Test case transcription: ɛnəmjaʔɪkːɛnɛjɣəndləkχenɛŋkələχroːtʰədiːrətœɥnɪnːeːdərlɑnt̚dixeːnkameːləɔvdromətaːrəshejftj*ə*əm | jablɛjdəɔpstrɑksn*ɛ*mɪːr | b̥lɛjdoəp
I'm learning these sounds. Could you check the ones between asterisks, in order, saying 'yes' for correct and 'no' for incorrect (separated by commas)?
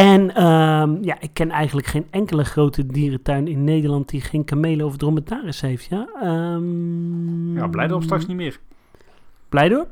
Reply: no, no